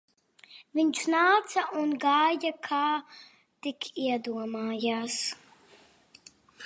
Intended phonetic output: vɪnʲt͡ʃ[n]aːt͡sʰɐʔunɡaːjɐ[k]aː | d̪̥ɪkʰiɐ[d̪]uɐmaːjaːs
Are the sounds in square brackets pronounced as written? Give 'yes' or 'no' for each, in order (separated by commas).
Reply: yes, no, yes